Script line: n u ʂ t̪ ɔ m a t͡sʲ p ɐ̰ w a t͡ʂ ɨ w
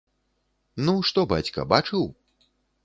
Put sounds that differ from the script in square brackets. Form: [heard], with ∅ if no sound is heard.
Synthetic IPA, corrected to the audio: n u ʂ t̪ ɔ [b] a t͡sʲ [k] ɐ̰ [b] a t͡ʂ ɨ w